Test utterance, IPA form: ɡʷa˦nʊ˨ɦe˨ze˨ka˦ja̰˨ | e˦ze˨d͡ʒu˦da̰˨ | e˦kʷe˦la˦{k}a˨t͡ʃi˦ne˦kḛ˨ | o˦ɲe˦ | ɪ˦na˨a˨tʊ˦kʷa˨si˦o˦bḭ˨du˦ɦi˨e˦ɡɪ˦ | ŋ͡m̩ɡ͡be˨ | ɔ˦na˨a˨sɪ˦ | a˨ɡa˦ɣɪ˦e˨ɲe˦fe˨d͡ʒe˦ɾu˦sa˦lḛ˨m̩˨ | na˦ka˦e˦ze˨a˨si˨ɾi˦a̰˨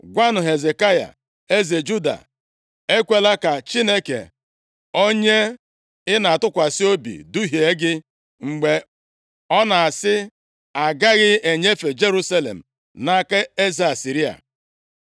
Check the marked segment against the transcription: correct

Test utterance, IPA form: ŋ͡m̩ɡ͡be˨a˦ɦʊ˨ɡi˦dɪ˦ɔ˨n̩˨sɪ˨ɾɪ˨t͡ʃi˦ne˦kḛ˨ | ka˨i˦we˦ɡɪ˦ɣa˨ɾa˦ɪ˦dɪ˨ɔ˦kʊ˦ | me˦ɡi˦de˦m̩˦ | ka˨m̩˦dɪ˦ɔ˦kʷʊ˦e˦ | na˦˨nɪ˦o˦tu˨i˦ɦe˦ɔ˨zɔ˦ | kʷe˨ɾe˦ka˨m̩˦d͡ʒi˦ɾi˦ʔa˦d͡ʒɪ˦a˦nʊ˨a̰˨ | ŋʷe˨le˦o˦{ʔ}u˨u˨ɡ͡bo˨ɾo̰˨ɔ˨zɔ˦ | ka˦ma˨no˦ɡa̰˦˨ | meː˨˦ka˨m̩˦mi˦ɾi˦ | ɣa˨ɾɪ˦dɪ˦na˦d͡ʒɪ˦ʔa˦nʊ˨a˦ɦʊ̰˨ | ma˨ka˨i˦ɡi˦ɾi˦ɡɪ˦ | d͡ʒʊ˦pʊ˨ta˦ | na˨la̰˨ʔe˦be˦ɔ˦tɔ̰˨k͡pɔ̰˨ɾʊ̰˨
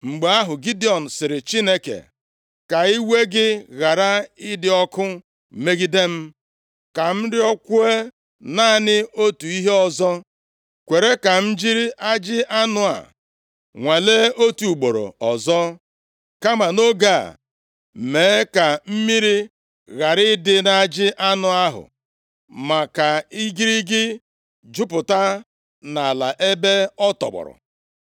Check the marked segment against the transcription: incorrect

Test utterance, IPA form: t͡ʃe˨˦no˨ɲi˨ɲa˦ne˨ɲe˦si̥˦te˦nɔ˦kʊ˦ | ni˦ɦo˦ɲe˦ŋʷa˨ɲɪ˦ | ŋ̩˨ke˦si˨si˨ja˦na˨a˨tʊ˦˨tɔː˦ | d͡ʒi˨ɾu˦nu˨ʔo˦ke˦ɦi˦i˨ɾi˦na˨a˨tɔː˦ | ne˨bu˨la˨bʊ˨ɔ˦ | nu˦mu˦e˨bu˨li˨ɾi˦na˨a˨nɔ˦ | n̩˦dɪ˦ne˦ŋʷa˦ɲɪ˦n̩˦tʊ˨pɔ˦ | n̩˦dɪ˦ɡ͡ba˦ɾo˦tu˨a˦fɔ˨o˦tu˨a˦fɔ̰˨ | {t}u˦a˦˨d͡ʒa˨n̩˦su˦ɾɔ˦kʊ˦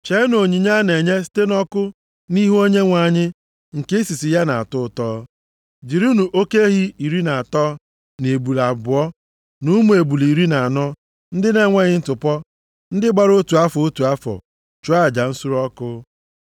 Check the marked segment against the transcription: incorrect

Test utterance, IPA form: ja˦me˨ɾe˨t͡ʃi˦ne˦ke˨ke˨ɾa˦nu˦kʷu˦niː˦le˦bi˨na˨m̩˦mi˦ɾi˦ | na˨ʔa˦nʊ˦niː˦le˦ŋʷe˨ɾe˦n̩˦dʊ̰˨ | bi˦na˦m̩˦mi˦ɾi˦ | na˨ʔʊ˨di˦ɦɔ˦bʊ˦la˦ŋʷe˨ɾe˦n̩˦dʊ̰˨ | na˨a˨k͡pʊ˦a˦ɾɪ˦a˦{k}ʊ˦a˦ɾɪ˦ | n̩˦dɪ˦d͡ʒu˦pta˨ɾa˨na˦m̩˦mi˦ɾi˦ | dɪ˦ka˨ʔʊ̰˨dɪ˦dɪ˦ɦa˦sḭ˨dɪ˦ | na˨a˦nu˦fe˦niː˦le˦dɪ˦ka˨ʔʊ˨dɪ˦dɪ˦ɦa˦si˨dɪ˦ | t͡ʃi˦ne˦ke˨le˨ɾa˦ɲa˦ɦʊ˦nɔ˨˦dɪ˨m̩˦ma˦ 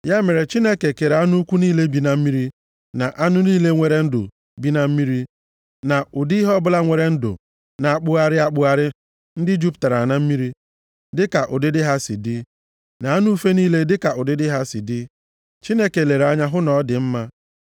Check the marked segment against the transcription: incorrect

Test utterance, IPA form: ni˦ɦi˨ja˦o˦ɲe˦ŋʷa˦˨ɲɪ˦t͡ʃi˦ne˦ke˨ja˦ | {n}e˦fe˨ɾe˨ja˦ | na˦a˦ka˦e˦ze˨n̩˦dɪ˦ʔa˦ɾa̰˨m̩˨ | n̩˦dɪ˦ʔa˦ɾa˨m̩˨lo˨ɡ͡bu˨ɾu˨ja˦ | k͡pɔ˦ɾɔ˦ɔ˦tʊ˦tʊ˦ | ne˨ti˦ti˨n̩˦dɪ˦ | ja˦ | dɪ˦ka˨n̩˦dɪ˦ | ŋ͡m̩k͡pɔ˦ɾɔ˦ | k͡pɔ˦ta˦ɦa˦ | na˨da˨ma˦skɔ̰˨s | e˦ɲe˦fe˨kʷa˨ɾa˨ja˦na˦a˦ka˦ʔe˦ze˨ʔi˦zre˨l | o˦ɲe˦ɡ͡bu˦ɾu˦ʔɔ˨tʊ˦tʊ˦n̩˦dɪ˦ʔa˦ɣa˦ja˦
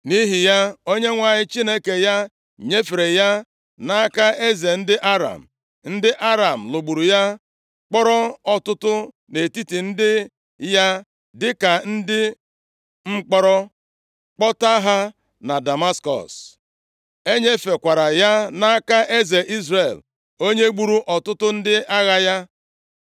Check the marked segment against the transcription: incorrect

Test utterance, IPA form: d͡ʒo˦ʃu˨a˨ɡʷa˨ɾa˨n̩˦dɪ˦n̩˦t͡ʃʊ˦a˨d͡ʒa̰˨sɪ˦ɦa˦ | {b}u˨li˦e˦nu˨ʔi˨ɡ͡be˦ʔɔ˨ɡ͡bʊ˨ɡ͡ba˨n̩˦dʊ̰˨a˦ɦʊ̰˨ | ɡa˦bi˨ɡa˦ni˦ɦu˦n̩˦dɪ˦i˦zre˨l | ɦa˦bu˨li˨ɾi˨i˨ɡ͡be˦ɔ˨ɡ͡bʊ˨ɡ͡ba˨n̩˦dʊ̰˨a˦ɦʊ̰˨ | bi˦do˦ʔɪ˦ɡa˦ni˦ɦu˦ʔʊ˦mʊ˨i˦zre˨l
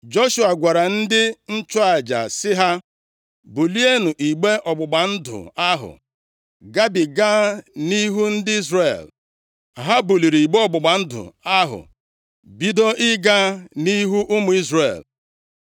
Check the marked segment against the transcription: correct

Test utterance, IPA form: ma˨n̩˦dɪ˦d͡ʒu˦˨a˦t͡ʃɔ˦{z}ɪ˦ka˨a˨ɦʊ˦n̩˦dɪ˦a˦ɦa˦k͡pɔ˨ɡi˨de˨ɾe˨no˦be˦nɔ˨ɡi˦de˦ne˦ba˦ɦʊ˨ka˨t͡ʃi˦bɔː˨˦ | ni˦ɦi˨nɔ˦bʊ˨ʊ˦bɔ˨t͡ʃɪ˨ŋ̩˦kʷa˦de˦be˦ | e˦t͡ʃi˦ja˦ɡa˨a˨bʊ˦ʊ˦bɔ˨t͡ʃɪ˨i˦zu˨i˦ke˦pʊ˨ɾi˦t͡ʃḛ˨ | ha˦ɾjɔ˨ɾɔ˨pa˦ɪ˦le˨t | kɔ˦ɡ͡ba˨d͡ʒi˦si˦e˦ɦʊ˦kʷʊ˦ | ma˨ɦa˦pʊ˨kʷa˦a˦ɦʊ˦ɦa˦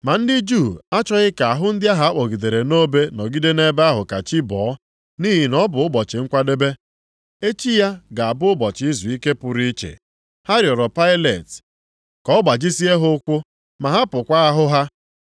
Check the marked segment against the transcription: incorrect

